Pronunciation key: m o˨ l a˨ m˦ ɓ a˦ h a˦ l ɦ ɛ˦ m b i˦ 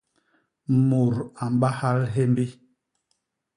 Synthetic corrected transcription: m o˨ ɾ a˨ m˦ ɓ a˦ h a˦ l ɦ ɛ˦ m b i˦